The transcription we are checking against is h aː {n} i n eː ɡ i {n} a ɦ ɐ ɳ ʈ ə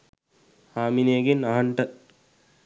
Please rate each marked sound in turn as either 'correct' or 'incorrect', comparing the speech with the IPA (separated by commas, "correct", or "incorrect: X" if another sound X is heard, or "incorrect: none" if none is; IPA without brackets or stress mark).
incorrect: m, correct